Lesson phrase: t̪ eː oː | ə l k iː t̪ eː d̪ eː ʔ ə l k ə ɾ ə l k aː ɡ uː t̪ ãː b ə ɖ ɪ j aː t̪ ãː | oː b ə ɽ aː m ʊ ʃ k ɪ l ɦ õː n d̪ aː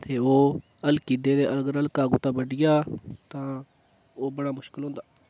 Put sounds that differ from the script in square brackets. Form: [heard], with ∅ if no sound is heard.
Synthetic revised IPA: t̪ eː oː | ə l k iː [d̪] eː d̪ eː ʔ ə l [ɡ] ə ɾ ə l k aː ɡ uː t̪ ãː b ə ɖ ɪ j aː t̪ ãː | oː b ə ɽ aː m ʊ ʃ k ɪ l ɦ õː n d̪ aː